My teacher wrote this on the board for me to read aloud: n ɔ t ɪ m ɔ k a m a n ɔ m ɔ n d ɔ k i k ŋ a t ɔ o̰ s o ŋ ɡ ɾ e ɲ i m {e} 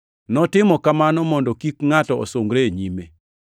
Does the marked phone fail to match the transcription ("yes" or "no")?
no